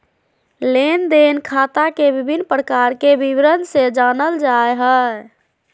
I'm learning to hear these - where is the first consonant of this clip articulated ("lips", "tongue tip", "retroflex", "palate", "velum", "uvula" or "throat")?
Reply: tongue tip